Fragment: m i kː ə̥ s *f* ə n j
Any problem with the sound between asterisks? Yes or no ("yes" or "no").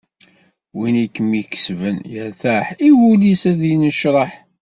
yes